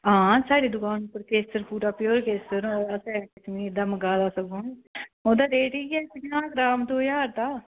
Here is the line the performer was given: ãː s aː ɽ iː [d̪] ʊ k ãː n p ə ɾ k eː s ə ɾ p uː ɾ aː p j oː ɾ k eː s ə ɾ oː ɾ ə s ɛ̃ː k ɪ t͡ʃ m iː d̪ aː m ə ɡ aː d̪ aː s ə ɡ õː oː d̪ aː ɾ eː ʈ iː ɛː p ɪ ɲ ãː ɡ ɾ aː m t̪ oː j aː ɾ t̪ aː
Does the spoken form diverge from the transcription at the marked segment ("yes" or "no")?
no